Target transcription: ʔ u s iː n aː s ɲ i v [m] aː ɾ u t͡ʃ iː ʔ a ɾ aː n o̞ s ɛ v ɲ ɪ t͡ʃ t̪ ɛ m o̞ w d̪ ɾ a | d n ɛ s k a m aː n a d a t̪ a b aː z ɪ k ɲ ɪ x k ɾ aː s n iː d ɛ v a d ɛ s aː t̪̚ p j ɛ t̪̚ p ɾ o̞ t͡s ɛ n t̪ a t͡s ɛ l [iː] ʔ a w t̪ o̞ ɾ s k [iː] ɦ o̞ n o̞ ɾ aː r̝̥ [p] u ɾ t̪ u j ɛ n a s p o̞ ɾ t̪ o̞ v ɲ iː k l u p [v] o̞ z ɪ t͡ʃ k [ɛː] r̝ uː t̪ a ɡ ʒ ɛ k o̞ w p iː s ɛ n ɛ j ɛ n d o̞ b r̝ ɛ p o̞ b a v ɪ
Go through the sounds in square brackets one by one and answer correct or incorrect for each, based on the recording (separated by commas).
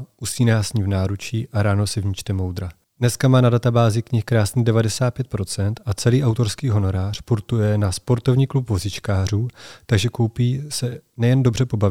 incorrect, correct, correct, correct, correct, incorrect